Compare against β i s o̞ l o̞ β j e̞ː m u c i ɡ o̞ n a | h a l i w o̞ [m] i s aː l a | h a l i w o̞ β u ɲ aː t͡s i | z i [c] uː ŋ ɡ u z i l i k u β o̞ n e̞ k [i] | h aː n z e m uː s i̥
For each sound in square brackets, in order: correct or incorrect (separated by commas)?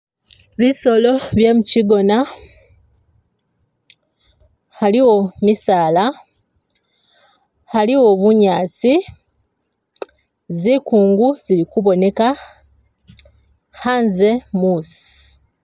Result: correct, incorrect, incorrect